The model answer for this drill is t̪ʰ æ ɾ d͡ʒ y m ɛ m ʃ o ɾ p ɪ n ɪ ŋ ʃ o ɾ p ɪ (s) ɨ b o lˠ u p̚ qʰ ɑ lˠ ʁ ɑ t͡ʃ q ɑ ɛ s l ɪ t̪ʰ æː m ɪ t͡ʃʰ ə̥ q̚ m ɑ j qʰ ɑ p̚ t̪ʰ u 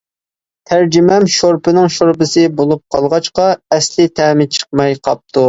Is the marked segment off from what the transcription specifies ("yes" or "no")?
no